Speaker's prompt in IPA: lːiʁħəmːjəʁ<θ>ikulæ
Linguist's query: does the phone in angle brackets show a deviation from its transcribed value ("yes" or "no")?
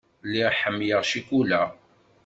yes